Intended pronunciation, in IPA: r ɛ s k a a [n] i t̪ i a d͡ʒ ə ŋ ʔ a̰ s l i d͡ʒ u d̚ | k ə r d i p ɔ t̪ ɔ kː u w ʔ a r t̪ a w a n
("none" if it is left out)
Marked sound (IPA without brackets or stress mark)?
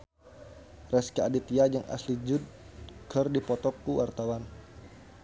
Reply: d